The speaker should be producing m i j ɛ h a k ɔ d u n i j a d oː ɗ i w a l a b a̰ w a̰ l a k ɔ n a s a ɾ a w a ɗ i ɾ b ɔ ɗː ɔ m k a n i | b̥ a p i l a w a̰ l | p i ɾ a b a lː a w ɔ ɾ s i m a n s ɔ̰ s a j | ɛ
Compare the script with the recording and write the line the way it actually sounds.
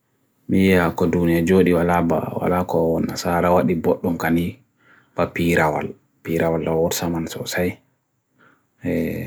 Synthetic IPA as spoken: m i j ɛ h a k ɔ d u n i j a d͡ʒ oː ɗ i w a l a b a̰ w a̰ l a k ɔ n a s a ɾ a w a ɗ i b ɔ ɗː ɔ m k a n i | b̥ a p i ɾ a w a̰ l | p i ɾ a w a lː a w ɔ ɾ s a m a n s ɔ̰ s a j | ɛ